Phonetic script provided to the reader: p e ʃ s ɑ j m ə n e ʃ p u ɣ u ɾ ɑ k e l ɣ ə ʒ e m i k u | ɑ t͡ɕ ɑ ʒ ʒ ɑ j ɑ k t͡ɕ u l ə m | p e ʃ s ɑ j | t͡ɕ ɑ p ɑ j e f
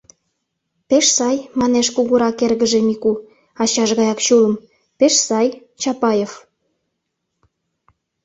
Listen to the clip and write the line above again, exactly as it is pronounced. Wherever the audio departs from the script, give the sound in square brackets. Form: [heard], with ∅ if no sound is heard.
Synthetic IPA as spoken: p e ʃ s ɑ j m [ɑ] n e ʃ [k] u ɣ u ɾ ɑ k e [r] ɣ ə ʒ e m i k u | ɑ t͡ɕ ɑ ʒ [ɣ] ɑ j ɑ k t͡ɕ u l ə m | p e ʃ s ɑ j | t͡ɕ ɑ p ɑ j e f